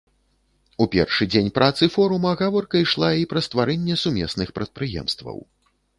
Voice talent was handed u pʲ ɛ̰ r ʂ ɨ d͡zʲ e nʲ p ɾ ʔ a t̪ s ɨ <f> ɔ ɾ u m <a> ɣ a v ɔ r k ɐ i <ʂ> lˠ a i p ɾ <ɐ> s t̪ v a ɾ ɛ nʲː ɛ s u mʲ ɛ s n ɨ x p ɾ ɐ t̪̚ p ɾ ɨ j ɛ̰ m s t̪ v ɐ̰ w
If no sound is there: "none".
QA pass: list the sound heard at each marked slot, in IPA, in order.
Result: f, ɐ, ʂ, ɐ

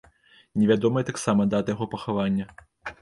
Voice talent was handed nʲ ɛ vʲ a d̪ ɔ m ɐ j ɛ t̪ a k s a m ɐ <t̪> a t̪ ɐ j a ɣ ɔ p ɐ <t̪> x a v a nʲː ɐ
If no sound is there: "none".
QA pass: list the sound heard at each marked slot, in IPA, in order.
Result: d̪, none

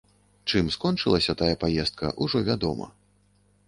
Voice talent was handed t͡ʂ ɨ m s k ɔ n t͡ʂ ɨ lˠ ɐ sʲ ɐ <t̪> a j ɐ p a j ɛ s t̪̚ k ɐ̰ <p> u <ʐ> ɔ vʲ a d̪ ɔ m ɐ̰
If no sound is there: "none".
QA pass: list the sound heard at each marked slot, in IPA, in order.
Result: t̪, ʔ, ʐ

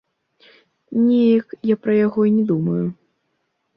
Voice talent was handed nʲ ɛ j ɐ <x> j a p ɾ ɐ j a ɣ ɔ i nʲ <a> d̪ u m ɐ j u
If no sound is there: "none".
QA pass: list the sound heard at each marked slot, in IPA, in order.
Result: k, ɛ

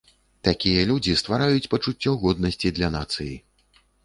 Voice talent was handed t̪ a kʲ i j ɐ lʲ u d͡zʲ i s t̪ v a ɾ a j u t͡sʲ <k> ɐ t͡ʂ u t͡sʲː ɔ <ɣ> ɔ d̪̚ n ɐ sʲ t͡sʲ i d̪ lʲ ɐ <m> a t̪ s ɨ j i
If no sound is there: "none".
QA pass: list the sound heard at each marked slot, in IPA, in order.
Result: p, ɣ, n

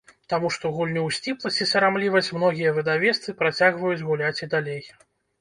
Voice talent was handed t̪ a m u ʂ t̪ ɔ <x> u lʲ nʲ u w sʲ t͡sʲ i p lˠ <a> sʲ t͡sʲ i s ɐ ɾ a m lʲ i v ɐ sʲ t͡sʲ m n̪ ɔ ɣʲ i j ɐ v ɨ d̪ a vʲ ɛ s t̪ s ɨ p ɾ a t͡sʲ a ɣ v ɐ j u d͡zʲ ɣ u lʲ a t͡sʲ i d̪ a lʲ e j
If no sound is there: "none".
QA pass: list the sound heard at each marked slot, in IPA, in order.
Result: ɣ, ɐ

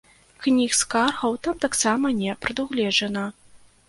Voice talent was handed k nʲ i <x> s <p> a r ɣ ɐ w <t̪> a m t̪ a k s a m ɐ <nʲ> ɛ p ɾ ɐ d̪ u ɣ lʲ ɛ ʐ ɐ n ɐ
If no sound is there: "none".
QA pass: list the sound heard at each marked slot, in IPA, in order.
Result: x, k, t̪, nʲ

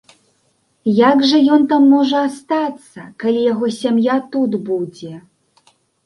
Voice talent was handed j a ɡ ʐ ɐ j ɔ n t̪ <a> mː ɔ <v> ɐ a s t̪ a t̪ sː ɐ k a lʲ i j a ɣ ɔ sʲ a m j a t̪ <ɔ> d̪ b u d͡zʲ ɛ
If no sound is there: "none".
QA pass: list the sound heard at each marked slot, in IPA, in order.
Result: a, ʐ, u

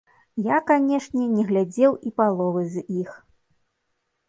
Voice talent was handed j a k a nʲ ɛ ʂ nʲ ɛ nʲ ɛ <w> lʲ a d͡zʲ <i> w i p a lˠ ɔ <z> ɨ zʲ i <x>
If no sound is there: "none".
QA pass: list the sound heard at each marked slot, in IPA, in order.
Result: ɣ, ɛ, v, x

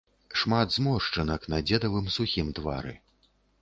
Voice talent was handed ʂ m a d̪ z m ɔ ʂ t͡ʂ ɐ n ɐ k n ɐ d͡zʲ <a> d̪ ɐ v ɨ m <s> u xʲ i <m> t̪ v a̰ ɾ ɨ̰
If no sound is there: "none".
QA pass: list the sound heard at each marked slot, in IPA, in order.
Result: ɛ, s, m

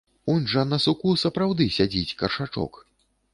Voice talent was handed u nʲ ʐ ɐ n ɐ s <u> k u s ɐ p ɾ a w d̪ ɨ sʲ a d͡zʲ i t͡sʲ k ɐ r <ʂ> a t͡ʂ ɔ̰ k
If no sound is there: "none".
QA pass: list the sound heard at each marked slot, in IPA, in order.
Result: u, ʂ

